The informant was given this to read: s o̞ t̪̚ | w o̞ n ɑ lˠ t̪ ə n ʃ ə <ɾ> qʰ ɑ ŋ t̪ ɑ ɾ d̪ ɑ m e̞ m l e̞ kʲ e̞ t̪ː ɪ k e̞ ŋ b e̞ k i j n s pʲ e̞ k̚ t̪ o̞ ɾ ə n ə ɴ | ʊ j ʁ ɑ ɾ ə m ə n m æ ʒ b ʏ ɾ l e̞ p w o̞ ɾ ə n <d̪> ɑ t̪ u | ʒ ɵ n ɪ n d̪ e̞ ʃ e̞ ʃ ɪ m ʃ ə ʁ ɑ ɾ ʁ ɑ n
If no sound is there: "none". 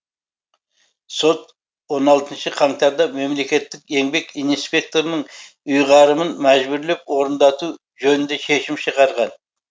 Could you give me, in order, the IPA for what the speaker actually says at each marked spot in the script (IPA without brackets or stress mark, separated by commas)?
none, d̪